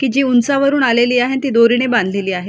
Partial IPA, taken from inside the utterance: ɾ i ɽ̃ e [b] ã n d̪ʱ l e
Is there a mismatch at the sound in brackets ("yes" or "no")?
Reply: no